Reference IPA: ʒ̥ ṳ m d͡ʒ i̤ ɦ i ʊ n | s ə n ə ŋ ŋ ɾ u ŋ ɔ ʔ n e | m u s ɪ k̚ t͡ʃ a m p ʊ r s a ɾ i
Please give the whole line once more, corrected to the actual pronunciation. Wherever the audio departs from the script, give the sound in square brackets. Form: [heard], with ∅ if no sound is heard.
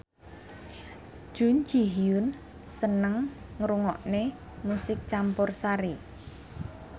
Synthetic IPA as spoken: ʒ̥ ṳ [n] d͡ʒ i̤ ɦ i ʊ n | s ə n ə ŋ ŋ ɾ u ŋ ɔ ʔ n e | m u s ɪ k̚ t͡ʃ a m p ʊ r s a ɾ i